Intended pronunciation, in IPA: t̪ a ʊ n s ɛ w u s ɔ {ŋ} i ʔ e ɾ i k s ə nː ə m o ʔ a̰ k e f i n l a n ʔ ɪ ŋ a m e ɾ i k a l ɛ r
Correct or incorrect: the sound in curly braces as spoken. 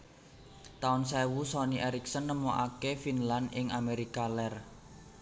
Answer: incorrect: n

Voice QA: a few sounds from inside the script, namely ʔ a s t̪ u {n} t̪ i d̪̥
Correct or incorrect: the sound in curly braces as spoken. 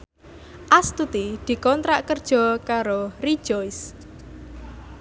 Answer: incorrect: none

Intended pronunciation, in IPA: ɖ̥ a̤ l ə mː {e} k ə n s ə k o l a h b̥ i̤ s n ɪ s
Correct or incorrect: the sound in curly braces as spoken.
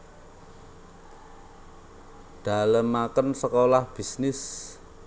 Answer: incorrect: a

